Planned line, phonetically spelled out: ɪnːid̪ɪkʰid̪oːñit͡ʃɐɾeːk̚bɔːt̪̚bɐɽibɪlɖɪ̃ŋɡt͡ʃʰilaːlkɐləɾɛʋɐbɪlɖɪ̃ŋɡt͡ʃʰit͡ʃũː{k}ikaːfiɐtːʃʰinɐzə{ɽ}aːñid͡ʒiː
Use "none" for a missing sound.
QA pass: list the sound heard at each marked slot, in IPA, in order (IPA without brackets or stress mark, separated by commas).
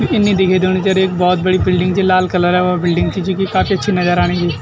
k, ɾ